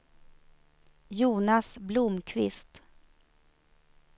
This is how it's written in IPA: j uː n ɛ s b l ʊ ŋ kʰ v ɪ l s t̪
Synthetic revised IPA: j uː n a s b l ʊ m kʰ v ɪ s t̪